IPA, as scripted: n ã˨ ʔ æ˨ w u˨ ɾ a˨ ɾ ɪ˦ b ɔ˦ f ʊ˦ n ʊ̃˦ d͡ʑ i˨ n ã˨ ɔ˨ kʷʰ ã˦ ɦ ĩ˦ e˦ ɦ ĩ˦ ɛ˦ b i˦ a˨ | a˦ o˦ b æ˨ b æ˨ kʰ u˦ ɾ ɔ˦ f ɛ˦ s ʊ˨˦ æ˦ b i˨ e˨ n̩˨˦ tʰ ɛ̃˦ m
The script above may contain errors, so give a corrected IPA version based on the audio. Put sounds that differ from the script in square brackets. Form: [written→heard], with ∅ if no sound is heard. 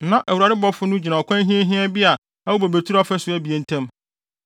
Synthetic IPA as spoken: n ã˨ ʔ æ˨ w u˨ ɾ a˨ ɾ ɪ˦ b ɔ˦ f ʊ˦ n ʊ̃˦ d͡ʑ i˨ n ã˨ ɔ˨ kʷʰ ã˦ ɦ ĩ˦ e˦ ɦ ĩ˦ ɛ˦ b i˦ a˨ | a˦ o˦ b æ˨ b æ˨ [kʰ→tʰ] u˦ ɾ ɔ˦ f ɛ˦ s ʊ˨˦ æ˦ b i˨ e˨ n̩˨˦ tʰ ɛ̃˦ m